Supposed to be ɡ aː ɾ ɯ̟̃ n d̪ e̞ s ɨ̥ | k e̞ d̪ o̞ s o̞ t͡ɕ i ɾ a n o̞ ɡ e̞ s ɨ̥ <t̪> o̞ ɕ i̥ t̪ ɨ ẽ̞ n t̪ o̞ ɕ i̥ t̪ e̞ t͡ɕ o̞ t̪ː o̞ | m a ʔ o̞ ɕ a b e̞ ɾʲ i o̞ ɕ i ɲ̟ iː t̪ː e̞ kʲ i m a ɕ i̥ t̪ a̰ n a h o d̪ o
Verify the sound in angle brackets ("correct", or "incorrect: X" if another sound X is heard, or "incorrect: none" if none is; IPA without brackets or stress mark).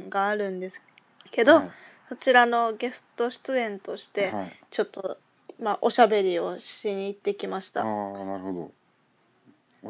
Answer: correct